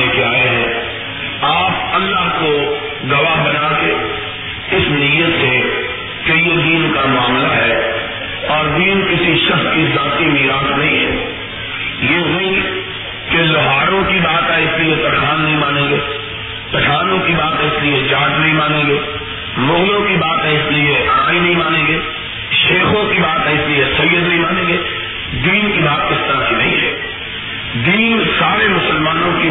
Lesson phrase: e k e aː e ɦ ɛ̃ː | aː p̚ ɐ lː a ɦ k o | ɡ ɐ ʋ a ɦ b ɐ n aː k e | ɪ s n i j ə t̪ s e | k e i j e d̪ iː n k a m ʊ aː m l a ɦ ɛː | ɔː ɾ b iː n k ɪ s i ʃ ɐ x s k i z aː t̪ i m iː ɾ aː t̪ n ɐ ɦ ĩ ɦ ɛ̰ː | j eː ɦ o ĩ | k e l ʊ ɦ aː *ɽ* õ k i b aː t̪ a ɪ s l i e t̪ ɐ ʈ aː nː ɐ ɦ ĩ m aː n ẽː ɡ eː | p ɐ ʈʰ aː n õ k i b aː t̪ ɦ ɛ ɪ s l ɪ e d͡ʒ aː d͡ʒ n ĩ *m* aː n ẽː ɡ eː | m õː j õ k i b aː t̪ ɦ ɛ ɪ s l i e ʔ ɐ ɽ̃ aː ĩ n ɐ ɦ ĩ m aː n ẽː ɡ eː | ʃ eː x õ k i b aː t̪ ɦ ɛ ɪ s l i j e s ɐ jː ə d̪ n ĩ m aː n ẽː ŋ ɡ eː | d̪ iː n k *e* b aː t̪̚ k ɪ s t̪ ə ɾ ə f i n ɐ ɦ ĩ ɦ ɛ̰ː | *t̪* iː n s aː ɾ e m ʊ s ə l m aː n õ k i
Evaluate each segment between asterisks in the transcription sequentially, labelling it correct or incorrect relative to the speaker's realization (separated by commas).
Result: incorrect, correct, incorrect, incorrect